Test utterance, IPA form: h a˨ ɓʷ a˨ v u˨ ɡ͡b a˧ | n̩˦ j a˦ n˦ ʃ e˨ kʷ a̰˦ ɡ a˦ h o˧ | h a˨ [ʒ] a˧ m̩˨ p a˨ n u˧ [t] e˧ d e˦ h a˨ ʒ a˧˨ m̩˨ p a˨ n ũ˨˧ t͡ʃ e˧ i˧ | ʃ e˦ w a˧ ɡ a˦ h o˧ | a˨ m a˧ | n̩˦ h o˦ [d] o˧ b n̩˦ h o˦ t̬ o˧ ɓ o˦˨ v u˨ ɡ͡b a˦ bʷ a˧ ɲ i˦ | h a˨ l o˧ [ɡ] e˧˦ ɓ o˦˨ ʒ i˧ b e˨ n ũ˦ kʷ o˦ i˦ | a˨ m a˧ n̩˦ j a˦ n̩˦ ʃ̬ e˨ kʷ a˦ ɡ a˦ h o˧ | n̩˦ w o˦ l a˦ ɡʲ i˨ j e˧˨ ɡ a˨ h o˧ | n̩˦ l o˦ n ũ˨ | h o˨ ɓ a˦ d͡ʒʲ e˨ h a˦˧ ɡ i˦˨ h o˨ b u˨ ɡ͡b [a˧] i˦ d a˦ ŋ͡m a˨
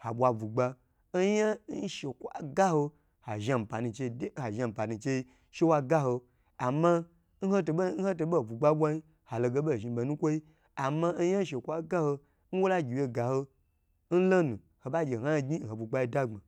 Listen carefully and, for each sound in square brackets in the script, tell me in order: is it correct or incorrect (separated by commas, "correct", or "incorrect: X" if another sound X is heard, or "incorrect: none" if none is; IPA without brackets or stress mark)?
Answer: correct, incorrect: t͡ʃ, incorrect: t, correct, correct